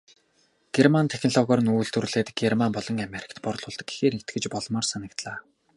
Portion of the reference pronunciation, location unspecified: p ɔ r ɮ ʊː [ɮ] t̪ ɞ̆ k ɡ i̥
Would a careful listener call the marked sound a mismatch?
no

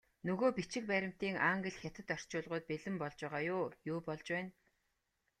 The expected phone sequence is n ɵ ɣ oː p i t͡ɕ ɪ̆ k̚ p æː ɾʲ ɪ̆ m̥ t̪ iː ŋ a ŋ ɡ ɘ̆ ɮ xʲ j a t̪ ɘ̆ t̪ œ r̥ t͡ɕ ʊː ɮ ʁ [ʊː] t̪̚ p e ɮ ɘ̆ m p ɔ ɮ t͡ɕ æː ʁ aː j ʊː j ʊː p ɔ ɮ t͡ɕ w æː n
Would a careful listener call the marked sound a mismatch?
no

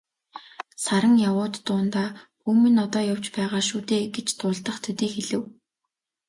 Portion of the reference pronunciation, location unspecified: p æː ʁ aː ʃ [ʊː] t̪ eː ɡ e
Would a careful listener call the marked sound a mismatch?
yes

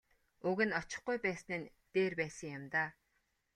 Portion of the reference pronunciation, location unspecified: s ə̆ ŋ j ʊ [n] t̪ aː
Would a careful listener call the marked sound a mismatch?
yes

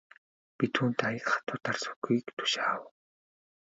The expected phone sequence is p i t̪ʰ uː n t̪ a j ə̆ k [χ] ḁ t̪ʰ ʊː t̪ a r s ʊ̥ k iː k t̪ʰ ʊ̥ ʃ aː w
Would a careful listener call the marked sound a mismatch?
no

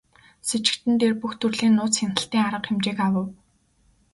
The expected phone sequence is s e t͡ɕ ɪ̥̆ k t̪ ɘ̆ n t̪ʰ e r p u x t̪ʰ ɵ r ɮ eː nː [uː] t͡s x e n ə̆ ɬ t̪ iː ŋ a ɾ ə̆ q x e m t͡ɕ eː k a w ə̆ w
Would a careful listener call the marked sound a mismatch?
yes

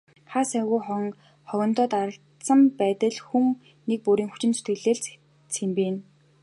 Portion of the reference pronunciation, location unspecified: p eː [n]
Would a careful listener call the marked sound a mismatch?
no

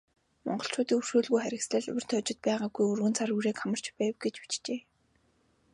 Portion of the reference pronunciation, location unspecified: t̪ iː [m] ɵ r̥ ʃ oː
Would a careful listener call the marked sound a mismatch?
yes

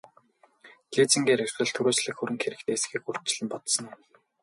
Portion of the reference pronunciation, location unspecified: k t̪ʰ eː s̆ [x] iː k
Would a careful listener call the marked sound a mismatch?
no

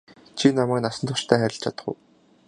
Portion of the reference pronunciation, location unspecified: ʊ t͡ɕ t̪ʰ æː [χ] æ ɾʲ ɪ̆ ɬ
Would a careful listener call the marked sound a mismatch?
no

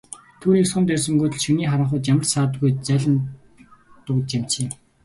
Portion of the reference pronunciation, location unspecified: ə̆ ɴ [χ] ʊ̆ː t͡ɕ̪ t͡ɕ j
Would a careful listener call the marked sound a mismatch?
no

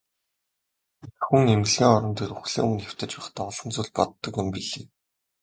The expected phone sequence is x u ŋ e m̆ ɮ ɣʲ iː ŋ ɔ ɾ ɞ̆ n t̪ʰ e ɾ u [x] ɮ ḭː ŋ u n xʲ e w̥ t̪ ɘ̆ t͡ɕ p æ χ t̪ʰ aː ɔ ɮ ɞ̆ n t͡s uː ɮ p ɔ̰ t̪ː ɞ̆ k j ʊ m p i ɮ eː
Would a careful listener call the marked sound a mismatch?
no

